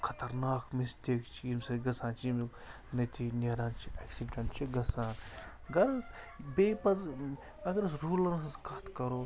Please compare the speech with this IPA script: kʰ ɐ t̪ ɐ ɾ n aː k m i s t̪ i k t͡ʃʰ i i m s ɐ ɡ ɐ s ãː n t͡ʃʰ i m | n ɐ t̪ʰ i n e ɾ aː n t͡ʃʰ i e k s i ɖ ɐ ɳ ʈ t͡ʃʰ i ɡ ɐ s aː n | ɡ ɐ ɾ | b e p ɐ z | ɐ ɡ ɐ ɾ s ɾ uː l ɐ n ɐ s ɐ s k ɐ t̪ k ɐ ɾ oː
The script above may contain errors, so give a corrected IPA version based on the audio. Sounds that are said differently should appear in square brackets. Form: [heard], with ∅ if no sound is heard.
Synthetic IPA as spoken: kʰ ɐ t̪ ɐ ɾ n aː k m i s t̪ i k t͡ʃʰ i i m s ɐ ɡ ɐ s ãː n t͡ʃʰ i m | n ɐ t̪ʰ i n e ɾ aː n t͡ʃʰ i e k s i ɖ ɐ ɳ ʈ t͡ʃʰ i ɡ ɐ s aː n | ɡ ɐ ɾ | b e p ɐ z | ɐ ɡ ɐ ɾ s ɾ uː l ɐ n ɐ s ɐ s k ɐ t̪ k ɐ ɾ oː